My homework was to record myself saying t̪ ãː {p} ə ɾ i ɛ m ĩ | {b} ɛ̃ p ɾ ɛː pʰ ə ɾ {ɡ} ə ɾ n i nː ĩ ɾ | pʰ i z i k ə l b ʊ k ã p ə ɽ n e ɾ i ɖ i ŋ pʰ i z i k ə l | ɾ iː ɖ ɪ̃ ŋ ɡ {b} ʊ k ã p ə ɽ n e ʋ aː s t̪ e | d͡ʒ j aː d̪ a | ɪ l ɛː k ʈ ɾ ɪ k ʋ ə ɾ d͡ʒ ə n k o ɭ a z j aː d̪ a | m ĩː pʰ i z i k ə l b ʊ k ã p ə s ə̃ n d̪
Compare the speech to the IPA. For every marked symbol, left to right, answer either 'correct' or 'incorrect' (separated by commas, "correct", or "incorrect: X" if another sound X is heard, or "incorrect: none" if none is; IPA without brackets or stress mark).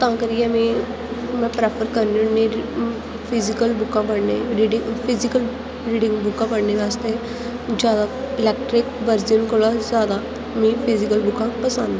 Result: incorrect: k, incorrect: m, incorrect: k, correct